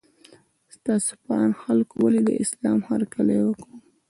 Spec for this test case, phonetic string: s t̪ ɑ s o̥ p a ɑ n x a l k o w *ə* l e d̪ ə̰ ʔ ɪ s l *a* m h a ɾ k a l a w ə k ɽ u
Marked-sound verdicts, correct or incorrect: incorrect: a, incorrect: ɑ

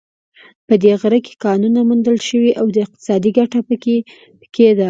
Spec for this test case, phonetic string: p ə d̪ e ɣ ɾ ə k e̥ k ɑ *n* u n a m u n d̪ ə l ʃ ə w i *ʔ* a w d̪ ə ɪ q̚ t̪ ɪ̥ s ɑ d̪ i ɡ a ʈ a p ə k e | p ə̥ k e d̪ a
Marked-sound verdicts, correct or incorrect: correct, correct

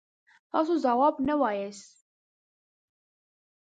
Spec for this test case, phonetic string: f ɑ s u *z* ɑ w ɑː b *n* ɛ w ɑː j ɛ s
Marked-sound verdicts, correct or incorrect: correct, correct

